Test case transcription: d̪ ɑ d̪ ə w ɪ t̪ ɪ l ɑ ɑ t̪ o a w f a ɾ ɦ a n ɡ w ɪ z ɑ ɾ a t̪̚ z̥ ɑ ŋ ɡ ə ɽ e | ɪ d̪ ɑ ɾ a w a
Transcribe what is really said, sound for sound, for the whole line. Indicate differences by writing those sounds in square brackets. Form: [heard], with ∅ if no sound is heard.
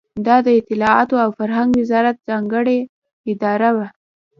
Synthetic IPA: d̪ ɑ d̪ ə [∅] ɪ t̪ ɪ l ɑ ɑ t̪ o a w f a ɾ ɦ a [ŋ] ɡ w ɪ z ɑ ɾ a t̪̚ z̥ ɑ ŋ ɡ ə ɽ e | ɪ d̪ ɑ ɾ a w a